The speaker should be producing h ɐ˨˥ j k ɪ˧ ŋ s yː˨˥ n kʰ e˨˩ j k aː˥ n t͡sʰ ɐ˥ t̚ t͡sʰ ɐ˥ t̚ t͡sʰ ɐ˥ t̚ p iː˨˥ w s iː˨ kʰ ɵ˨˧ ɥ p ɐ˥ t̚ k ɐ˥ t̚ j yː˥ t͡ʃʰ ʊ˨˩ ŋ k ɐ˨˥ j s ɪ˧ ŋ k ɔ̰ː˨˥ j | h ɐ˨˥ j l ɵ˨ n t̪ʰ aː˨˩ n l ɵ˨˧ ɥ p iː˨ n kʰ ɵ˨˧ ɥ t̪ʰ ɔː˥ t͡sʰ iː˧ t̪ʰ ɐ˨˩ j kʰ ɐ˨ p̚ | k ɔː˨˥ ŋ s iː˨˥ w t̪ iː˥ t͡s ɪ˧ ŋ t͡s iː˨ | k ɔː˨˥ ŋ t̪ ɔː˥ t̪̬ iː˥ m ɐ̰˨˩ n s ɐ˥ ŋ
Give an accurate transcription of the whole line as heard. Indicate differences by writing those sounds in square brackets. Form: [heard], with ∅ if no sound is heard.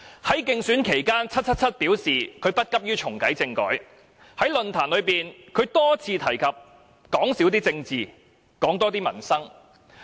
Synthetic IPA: h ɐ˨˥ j k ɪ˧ ŋ s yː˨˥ n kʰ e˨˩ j k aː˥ n t͡sʰ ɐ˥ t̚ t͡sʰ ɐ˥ t̚ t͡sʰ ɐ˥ t̚ p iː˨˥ w s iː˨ kʰ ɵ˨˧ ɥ p ɐ˥ t̚ k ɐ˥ [p̚] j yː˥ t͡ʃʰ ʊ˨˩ ŋ k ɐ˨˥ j [t͡s] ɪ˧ ŋ k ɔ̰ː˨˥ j | h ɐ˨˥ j l ɵ˨ n t̪ʰ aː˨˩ n l ɵ˨˧ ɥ p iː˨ n kʰ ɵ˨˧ ɥ [t̪] ɔː˥ t͡sʰ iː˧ t̪ʰ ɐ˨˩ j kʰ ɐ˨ p̚ | k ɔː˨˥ ŋ s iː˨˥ w t̪ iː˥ t͡s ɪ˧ ŋ t͡s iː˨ | k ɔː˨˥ ŋ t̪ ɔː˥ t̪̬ iː˥ m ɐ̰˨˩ n s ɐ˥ ŋ